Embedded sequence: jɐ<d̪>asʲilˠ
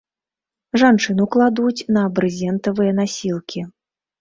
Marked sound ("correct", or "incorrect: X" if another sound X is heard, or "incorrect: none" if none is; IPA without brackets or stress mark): incorrect: n̪